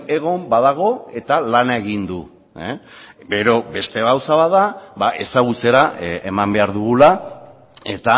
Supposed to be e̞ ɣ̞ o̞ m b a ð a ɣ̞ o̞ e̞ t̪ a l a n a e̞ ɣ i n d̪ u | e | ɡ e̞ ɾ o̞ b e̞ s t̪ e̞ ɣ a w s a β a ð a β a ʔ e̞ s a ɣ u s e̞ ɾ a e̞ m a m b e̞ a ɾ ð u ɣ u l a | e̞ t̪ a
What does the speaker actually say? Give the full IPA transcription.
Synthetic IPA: e̞ ɣ̞ o̞ m b a ð a ɣ̞ o̞ e̞ t̪ a l a n a e̞ ɣ i n d̪ u | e | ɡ e̞ ɾ o̞ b e̞ s t̪ e̞ ɣ a w s a β a ð a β a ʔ e̞ s a ɣ u t͡s e̞ ɾ a e̞ m a m b e̞ a ɾ ð u ɣ u l a | e̞ t̪ a